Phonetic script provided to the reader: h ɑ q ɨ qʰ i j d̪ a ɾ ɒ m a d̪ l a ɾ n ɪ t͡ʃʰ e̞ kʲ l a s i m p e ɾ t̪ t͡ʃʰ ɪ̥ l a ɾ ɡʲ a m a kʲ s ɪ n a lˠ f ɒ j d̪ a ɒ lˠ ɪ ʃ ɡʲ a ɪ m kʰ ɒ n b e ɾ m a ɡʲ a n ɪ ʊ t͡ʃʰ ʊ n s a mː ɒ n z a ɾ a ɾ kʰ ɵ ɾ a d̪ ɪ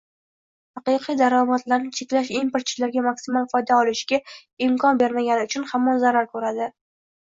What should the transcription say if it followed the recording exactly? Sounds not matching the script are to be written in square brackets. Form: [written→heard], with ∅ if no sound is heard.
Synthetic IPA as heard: h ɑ q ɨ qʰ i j d̪ a ɾ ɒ m a [d̪→t̪] l a ɾ n ɪ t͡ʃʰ e̞ kʲ l a [s→ʃ] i m p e ɾ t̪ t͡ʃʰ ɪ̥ l a ɾ ɡʲ a m a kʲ s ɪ [n→m] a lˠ f ɒ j d̪ a ɒ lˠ ɪ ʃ ɡʲ a ɪ m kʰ ɒ n b e ɾ m a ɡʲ a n ɪ ʊ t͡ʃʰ ʊ n [s→h] a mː ɒ n z a ɾ a ɾ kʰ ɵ ɾ a d̪ ɪ